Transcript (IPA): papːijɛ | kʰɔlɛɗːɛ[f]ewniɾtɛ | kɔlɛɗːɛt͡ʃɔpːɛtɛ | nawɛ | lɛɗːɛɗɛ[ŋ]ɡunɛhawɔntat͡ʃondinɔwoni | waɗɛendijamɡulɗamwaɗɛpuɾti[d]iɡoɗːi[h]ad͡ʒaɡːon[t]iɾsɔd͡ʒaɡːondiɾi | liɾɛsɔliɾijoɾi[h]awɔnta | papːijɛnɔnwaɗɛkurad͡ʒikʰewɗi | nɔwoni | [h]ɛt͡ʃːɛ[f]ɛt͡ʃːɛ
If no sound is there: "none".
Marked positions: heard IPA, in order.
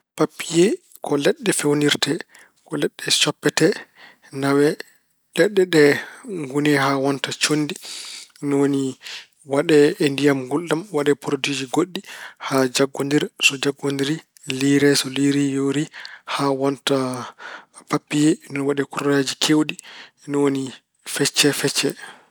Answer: f, ŋ, d͡ʒ, h, d, h, f, f

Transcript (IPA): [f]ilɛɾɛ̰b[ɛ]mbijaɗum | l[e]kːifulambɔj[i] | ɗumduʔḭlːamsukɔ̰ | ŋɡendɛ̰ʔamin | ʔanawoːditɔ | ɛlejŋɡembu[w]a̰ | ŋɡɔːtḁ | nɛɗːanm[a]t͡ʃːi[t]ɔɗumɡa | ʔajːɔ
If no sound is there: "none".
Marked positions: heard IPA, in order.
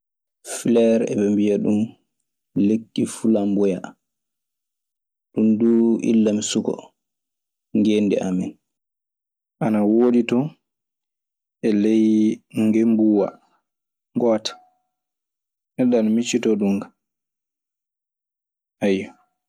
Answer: f, ɛ, e, a, w, i, t

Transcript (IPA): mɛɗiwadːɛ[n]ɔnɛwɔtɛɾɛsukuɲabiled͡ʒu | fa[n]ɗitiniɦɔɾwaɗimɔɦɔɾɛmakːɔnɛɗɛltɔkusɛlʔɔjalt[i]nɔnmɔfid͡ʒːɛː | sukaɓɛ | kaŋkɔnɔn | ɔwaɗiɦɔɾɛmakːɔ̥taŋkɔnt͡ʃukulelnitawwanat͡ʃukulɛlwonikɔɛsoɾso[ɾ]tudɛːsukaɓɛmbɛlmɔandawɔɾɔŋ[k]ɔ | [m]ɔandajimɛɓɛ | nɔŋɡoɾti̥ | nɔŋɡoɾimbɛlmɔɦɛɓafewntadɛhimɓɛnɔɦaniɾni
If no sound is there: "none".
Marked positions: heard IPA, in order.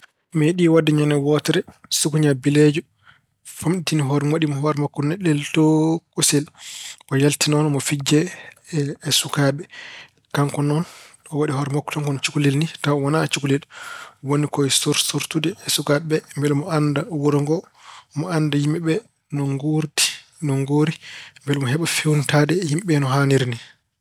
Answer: ɲ, m, i, ɾ, ɡ, m

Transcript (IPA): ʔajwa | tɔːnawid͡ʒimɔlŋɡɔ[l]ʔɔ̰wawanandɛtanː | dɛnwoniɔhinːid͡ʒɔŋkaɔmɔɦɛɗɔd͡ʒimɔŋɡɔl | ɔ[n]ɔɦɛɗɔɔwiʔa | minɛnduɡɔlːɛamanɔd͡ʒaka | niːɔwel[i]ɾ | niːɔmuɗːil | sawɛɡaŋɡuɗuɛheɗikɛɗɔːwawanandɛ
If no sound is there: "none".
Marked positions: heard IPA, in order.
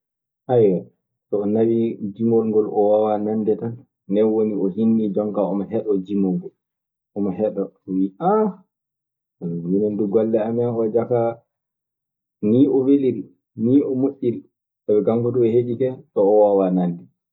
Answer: l, m, i

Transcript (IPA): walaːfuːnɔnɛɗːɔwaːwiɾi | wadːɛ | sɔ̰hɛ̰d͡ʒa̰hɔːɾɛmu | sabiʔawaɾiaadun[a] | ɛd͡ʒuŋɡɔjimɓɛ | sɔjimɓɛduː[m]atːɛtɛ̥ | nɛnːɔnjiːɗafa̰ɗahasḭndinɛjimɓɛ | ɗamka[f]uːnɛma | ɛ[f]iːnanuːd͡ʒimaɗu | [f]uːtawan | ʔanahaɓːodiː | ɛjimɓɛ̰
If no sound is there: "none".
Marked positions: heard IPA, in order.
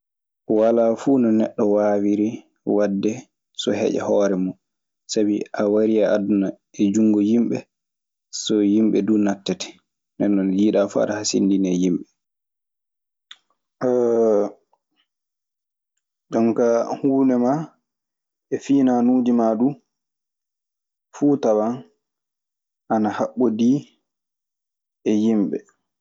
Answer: a, n, h, f, f

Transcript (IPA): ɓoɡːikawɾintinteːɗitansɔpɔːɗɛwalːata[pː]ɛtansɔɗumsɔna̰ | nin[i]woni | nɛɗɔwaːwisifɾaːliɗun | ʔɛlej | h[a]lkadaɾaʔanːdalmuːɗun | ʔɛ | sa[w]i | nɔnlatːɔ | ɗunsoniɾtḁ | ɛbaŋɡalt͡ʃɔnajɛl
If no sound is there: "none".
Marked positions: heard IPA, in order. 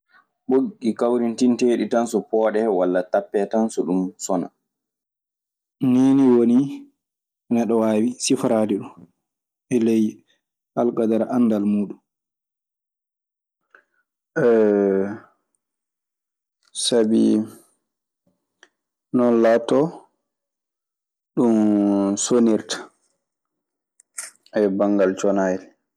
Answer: pː, i, a, b

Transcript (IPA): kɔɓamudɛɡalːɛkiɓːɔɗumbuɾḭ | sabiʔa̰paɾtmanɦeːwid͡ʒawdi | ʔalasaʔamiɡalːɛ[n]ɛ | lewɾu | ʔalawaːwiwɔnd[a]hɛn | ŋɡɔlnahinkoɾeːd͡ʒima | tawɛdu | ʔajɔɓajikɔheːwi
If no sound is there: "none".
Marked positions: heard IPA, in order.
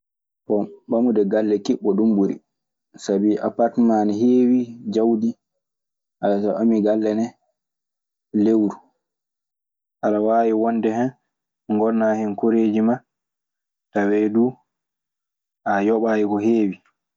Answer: n, ɛ

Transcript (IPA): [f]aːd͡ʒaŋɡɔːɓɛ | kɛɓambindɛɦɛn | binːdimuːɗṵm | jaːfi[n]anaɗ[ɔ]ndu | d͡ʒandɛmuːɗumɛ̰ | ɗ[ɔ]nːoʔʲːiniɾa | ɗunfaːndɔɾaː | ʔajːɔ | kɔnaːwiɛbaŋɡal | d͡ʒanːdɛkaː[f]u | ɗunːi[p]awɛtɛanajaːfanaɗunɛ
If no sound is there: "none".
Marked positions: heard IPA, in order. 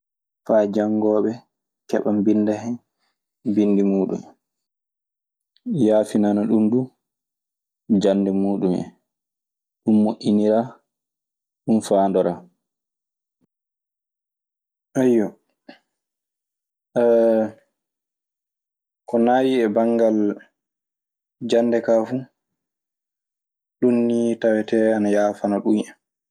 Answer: f, n, u, u, f, t

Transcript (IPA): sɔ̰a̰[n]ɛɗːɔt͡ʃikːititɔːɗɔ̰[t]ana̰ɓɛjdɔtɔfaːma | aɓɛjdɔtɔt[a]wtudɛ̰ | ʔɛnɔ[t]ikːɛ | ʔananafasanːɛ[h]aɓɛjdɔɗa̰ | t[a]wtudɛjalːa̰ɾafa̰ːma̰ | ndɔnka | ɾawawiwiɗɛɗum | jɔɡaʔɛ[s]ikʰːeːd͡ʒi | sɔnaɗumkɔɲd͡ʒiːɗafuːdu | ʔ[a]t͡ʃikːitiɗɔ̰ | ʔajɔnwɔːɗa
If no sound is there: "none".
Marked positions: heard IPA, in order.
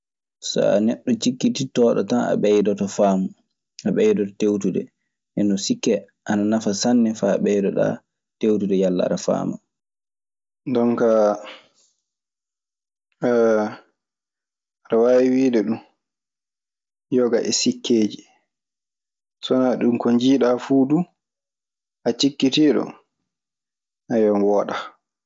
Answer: n, t, e, s, f, e, s, a

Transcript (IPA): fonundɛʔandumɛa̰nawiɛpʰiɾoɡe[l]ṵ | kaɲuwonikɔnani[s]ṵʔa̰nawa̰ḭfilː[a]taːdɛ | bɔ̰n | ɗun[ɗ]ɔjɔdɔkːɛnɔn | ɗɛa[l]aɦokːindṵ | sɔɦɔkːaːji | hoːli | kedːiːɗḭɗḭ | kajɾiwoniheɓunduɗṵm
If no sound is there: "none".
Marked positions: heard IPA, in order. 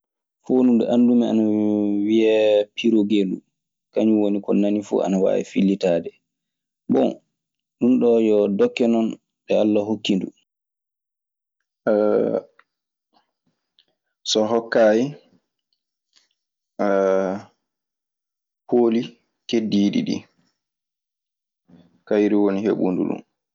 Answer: l, f, i, ɗ, lː

